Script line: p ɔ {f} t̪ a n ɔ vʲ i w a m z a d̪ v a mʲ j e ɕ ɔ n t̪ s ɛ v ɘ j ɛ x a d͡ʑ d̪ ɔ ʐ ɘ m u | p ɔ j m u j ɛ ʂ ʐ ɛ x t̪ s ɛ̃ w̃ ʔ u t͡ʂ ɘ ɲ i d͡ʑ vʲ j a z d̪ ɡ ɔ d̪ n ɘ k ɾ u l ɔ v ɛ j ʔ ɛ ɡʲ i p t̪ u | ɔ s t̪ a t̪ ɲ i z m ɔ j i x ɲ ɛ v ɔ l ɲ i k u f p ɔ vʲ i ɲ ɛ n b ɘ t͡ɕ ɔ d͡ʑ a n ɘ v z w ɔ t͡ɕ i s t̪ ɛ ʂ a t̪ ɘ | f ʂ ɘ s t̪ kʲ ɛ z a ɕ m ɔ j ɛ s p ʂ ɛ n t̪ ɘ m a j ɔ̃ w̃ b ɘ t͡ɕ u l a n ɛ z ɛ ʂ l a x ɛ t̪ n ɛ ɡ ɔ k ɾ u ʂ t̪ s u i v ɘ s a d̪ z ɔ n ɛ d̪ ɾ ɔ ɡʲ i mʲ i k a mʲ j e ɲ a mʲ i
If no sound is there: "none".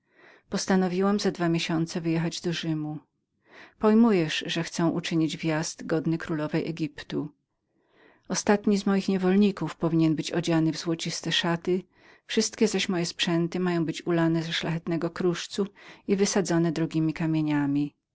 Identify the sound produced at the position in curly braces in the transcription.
s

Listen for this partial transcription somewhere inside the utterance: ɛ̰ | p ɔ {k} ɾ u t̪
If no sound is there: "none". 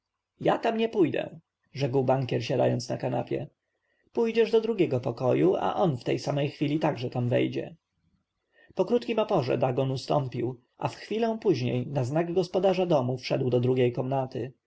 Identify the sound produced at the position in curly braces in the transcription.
k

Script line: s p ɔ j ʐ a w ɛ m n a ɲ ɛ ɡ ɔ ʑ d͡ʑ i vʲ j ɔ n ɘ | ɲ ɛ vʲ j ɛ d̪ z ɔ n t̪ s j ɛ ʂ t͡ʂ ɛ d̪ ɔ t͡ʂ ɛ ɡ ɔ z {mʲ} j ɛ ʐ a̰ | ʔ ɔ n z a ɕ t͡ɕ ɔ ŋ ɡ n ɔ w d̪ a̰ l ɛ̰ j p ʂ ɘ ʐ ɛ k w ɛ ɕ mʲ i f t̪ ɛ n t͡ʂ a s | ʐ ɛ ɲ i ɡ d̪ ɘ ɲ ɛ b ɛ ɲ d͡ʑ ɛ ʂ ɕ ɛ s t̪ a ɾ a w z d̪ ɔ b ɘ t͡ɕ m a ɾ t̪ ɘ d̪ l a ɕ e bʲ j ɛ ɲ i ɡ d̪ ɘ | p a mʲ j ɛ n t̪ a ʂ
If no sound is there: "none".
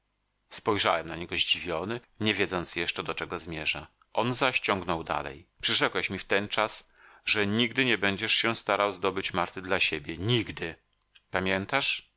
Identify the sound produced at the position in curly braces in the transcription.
mʲ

